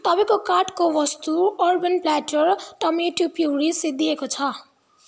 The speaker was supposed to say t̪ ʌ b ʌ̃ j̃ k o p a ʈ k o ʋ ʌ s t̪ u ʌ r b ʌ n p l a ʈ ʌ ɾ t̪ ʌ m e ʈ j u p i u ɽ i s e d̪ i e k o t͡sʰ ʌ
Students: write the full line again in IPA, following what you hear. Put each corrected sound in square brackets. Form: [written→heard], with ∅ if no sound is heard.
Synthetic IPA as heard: t̪ ʌ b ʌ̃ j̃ k o [p→k] a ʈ k o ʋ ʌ s t̪ u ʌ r b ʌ n p l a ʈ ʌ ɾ t̪ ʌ m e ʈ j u p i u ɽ i s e d̪ i e k o t͡sʰ ʌ